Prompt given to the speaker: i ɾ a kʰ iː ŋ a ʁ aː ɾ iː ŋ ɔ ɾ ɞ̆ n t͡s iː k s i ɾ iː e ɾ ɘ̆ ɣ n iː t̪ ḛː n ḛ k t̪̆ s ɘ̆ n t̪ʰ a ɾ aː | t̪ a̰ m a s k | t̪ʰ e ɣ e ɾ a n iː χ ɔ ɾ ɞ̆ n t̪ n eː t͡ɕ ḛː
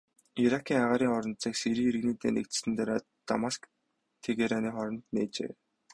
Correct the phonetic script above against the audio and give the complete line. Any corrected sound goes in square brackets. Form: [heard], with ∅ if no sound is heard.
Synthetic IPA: i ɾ a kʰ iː ŋ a ʁ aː ɾ iː ŋ ɔ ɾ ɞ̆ n t͡s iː k s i ɾ iː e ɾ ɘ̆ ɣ n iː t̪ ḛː n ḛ k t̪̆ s ɘ̆ n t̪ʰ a ɾ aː | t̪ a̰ m a s k | t̪ʰ e ɣ e ɾ a n iː χ ɔ ɾ ɞ̆ n t̪ n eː t͡ɕ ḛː